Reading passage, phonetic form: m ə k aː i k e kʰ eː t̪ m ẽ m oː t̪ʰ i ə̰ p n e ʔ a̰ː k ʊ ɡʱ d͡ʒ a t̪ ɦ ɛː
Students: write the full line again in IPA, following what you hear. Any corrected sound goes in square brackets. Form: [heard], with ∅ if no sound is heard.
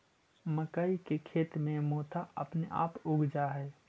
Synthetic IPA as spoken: m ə k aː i k e kʰ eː t̪ m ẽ m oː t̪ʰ [a] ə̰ p n e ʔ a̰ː [p] ʊ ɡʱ d͡ʒ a [∅] ɦ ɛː

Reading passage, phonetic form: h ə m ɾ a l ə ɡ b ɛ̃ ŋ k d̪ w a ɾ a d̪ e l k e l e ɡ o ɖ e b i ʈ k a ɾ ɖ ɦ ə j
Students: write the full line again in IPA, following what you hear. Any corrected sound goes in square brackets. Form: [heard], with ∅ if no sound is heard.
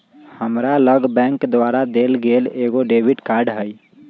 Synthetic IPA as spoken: h ə m ɾ a l ə ɡ b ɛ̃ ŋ k d̪ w a ɾ a d̪ e l [ɡ] e l e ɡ o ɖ e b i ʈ k a ɾ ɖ ɦ ə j

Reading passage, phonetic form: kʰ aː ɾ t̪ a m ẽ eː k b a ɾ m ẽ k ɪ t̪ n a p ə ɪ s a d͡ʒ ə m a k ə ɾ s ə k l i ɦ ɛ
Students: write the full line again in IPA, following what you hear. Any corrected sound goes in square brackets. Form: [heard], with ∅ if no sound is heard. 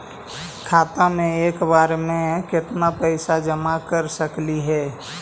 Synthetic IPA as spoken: kʰ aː [∅] t̪ a m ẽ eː k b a ɾ m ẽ k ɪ t̪ n a p ə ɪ s a d͡ʒ ə m a k ə ɾ s ə k l i ɦ ɛ

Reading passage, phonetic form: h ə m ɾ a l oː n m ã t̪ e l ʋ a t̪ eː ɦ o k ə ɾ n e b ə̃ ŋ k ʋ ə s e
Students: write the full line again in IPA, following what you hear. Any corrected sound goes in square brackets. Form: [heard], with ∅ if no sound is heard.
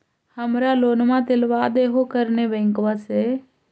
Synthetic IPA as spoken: h ə m ɾ a l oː n m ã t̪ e l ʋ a [d̪] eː ɦ o k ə ɾ n e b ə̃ ŋ k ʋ [a] s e

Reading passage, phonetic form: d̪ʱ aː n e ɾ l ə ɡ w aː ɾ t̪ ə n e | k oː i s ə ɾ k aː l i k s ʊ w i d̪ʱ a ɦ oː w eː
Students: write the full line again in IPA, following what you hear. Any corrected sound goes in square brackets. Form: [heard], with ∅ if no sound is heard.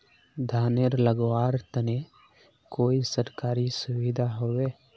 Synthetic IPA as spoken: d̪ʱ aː n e ɾ l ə ɡ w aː ɾ t̪ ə n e | k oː i s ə ɾ k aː [ɾ] i [∅] s ʊ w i d̪ʱ a ɦ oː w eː

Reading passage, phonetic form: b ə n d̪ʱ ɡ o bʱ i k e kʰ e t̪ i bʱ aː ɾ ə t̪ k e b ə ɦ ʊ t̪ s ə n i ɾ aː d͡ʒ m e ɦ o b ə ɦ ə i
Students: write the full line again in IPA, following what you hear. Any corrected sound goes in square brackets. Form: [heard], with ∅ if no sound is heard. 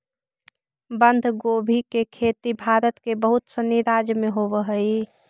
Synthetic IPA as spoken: b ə n d̪ʱ ɡ o bʱ i k e kʰ e t̪ i bʱ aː ɾ ə t̪ k e b ə ɦ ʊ t̪ s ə n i ɾ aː d͡ʒ m e ɦ o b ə ɦ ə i

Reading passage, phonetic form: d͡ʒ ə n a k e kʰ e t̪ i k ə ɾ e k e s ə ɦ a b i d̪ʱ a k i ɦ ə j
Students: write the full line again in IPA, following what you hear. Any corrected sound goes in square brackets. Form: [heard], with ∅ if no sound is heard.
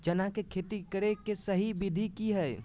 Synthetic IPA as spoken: d͡ʒ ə n a k e kʰ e t̪ i k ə ɾ e k e s ə ɦ [i] b i d̪ʱ [i] k i ɦ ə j

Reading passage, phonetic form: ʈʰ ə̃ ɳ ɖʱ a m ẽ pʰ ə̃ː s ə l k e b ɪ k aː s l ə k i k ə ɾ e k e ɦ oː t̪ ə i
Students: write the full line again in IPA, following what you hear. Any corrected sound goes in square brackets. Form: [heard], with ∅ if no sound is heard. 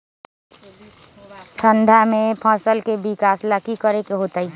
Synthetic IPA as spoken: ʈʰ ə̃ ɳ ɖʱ a m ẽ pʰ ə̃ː s ə l k e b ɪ k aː s l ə k i k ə ɾ e k e ɦ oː t̪ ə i

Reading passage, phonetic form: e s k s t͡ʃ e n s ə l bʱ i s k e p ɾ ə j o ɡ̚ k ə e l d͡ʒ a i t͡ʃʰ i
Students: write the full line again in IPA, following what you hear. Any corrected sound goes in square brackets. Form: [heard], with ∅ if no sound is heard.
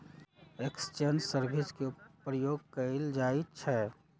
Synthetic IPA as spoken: e [∅] k s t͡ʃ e n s ə [ɾ] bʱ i s k e p ɾ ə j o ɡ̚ k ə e l d͡ʒ a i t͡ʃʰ [ɛ]

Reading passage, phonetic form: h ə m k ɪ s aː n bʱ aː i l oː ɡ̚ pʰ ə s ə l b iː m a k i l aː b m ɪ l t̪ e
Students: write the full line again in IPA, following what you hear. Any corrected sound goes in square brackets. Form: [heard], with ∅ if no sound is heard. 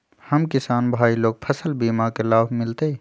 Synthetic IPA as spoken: h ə m k ɪ s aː n bʱ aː i l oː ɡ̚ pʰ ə s ə l b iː m a k [e] l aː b m ɪ l t̪ e

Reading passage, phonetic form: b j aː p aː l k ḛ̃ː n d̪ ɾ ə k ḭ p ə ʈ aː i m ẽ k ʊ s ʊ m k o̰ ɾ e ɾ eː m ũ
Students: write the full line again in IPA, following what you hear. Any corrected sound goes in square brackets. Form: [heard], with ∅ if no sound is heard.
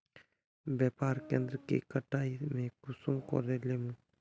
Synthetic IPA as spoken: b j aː p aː [ɾ] k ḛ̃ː n d̪ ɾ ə k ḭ [k] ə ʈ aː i m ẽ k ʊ s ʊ m k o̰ ɾ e [l] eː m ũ

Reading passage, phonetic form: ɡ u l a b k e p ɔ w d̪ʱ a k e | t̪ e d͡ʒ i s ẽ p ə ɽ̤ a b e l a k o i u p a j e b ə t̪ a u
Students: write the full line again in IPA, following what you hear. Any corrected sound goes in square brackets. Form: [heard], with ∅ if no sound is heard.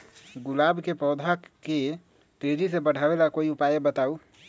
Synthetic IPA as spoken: ɡ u l a b k e p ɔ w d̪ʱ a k e | t̪ e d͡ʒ i s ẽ [b] ə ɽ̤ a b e l a k o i u p a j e b ə t̪ a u

